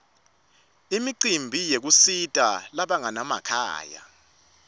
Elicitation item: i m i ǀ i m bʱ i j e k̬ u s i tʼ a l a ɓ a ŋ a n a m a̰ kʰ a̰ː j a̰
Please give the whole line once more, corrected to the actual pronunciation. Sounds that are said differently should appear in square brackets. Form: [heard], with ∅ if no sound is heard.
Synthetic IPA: i m i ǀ i m bʱ i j e k̬ u s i tʼ a l a ɓ a ŋ a n a m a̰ kʰ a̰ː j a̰